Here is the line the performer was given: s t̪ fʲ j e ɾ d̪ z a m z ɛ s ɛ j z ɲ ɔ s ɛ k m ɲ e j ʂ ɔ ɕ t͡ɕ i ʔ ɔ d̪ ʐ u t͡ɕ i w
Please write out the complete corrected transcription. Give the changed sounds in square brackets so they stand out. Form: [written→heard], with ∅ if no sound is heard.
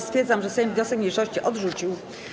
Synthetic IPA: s t̪ fʲ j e ɾ d̪ z a m [z→ʐ] ɛ s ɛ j [z→v] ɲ ɔ s ɛ k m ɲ e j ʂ ɔ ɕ t͡ɕ i ʔ ɔ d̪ ʐ u t͡ɕ i w

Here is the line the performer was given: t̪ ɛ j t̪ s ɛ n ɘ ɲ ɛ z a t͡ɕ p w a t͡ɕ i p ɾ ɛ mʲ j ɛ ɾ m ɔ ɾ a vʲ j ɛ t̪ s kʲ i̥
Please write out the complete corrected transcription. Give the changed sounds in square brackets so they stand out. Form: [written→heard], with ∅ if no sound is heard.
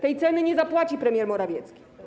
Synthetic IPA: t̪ ɛ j t̪ s ɛ n ɘ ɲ ɛ z a [t͡ɕ→∅] p w a t͡ɕ i p ɾ ɛ mʲ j ɛ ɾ m ɔ ɾ a vʲ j ɛ t̪ s kʲ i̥

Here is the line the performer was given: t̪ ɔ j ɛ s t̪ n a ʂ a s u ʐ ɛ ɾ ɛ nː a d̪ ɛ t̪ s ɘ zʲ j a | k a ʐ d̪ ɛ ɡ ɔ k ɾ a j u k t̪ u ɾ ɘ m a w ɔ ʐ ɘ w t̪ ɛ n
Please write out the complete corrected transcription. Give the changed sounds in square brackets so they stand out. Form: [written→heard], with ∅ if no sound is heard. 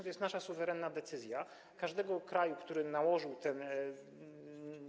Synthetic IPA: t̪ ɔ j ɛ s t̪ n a ʂ a s u [ʐ→v] ɛ ɾ ɛ nː a d̪ ɛ t̪ s ɘ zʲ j a | k a ʐ d̪ ɛ ɡ ɔ k ɾ a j u k t̪ u ɾ ɘ [m→n] a w ɔ ʐ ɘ w t̪ ɛ n

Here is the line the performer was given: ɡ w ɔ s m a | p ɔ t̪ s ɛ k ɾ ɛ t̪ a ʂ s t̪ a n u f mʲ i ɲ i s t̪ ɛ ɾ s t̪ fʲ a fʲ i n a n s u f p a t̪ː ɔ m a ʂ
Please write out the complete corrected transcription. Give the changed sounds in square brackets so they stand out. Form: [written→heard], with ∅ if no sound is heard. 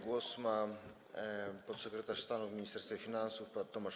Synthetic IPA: ɡ w ɔ s m a | p ɔ t̪ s ɛ k ɾ ɛ t̪ a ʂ s t̪ a n u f mʲ i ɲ i s t̪ ɛ ɾ s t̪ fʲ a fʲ i n a n s u f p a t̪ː ɔ m a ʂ

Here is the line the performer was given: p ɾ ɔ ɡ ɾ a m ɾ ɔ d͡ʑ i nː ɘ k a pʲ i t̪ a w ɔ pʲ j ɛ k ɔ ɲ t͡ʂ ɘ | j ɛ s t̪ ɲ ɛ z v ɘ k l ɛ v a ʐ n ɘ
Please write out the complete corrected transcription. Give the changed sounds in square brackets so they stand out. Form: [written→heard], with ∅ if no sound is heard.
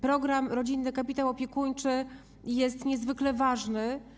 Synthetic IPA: p ɾ ɔ ɡ ɾ a m ɾ ɔ d͡ʑ i nː ɘ k a pʲ i t̪ a w ɔ pʲ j ɛ k [ɔ→u] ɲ t͡ʂ ɘ | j ɛ s t̪ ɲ ɛ z v ɘ k l ɛ v a ʐ n ɘ

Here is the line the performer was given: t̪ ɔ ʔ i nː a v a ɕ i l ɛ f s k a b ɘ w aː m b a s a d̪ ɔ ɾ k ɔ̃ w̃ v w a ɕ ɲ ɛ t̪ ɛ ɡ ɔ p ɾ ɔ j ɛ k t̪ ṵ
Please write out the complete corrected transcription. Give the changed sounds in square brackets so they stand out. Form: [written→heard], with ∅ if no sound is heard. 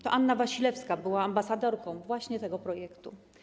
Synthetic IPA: t̪ ɔ ʔ [i→a] nː a v a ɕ i l ɛ f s k a b ɘ w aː m b a s a d̪ ɔ ɾ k ɔ̃ w̃ v w a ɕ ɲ ɛ t̪ ɛ ɡ ɔ p ɾ ɔ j ɛ k t̪ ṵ

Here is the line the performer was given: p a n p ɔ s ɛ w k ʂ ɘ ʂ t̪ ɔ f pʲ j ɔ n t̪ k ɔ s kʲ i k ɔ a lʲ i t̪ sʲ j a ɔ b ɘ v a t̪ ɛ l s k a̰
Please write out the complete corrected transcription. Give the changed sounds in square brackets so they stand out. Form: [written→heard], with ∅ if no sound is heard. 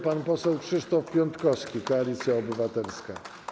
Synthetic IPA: p a n p ɔ s ɛ w k ʂ ɘ ʂ t̪ ɔ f pʲ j ɔ n t̪ k ɔ s kʲ i k ɔ a lʲ i t̪ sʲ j a ɔ b ɘ v a t̪ ɛ l s k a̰

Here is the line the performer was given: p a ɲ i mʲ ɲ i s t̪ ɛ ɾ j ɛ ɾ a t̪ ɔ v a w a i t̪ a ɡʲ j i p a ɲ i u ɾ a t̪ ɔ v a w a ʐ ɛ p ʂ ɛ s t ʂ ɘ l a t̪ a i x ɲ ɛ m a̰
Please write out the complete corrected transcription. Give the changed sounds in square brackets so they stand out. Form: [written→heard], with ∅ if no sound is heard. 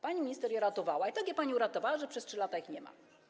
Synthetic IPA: p a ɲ i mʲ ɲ i s t̪ ɛ ɾ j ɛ ɾ a t̪ ɔ v a w a i t̪ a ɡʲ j [i→ɛ] p a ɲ i u ɾ a t̪ ɔ v a w a ʐ ɛ p ʂ ɛ s t ʂ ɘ l a t̪ a i x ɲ ɛ m a̰

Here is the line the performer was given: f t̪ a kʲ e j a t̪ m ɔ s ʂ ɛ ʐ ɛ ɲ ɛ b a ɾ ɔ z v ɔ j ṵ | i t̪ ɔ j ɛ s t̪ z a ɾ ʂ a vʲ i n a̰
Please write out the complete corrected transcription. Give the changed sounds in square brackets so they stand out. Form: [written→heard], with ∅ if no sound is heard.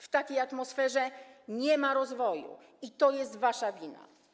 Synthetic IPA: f t̪ a kʲ e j a t̪ m ɔ s [ʂ→f] ɛ ʐ ɛ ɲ ɛ [b→m] a ɾ ɔ z v ɔ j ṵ | i t̪ ɔ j ɛ s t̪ [z→v] a [ɾ→∅] ʂ a vʲ i n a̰

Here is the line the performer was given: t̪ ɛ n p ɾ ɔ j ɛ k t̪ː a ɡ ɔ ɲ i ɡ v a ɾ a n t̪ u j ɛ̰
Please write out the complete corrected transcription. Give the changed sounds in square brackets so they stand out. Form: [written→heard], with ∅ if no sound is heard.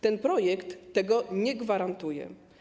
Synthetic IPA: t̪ ɛ n p ɾ ɔ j ɛ k t̪ː [a→ɛ] ɡ ɔ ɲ [i→ɛ] ɡ v a ɾ a n t̪ u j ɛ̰

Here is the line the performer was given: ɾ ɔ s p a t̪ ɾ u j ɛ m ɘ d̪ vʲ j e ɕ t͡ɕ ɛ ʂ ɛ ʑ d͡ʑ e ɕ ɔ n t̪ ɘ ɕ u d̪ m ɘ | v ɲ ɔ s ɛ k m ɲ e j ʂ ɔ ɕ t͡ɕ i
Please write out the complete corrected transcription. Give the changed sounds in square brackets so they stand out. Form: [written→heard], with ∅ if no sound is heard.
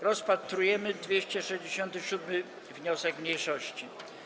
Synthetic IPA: ɾ ɔ s p a t̪ ɾ u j ɛ m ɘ d̪ vʲ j e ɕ t͡ɕ ɛ ʂ ɛ ʑ d͡ʑ e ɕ ɔ n t̪ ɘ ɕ u d̪ m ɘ | v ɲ ɔ s ɛ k m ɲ e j ʂ ɔ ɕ t͡ɕ i

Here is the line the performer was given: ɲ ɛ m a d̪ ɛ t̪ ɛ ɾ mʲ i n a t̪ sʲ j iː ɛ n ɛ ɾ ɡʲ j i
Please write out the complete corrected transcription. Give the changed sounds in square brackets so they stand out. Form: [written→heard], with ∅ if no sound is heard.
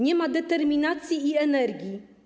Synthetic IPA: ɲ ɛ m a d̪ ɛ t̪ ɛ ɾ mʲ i n a t̪ sʲ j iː ɛ n ɛ ɾ ɡʲ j i

